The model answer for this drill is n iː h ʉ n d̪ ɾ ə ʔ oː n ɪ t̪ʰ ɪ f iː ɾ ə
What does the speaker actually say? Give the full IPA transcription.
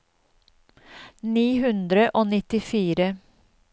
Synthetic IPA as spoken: n iː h ʉ n d̪ ɾ ə ʔ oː n ɪ t̪ ɪ f iː ɾ ə